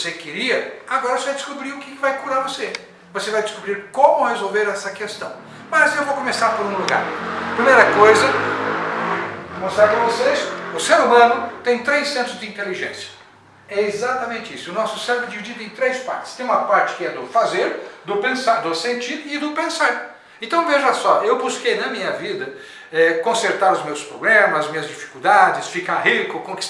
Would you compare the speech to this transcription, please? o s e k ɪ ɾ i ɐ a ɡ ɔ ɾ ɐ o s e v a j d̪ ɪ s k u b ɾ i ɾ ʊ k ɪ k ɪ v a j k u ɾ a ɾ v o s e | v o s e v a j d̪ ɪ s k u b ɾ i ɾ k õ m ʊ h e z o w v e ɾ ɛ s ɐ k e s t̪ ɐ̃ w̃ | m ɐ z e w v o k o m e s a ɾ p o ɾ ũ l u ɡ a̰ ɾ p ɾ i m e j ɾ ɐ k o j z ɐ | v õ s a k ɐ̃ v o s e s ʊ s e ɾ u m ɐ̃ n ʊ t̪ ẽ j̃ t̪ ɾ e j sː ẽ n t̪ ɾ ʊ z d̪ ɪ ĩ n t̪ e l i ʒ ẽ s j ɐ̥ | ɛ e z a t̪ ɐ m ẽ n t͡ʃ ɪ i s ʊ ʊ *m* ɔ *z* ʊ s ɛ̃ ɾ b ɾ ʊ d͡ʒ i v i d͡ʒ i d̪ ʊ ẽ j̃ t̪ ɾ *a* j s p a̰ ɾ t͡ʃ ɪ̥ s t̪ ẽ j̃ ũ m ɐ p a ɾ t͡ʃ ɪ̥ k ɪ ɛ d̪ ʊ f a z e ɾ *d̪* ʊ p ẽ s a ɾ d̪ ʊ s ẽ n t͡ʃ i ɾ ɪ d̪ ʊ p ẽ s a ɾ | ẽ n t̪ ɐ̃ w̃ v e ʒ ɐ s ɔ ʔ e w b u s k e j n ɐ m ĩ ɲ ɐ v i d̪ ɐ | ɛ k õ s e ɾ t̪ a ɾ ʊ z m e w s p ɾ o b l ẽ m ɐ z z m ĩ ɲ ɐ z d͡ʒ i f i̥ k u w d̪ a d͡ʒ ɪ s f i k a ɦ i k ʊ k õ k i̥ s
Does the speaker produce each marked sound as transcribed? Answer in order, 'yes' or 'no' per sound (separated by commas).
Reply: no, no, no, yes